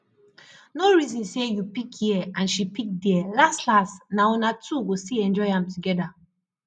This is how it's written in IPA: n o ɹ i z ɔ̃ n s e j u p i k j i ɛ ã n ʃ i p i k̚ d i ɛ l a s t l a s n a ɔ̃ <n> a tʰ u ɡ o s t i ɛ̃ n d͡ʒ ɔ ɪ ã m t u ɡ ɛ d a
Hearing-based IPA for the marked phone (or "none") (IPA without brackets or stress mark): n